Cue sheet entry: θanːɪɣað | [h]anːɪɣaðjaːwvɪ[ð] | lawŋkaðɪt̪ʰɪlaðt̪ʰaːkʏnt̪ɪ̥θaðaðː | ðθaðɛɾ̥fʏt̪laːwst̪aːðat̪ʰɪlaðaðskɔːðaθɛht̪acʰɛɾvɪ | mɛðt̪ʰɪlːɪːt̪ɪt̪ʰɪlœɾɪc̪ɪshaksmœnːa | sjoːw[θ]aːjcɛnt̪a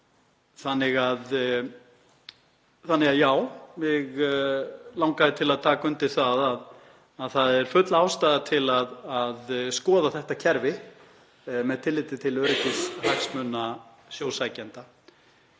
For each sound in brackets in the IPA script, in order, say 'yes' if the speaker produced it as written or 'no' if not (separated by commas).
no, no, no